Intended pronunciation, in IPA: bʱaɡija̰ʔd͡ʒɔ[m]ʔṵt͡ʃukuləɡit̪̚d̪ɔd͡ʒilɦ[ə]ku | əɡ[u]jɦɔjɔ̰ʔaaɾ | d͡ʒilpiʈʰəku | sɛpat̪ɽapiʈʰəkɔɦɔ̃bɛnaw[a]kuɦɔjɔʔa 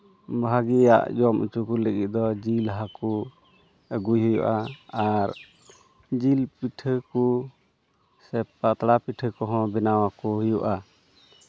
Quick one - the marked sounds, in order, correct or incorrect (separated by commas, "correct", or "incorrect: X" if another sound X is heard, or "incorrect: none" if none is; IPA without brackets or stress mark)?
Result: correct, incorrect: a, correct, correct